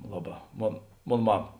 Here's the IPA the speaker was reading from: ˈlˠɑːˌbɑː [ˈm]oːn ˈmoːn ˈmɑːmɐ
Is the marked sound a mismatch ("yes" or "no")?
no